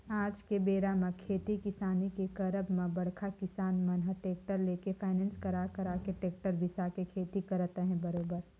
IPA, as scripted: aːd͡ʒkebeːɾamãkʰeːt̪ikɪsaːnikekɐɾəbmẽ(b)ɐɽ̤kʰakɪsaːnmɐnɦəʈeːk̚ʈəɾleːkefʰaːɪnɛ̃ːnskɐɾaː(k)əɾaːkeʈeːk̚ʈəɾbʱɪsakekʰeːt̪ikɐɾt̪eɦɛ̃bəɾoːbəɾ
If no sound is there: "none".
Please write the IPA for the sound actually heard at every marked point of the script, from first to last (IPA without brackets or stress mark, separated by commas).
b, k